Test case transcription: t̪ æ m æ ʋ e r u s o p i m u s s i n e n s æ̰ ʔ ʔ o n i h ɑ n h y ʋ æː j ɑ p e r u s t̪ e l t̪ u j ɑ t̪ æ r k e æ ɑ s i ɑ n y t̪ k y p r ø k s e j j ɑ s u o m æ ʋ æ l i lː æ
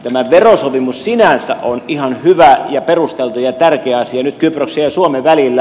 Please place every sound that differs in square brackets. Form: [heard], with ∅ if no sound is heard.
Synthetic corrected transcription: t̪ æ m æ ʋ e r [o] s o p i m u s s i n [æ] n s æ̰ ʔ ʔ o n i h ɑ n h y ʋ [æ] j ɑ p e r u s t̪ e l t̪ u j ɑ t̪ æ r k e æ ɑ s i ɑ n y t̪ k y p r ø k s e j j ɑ s u o m [e] ʋ æ l i lː æ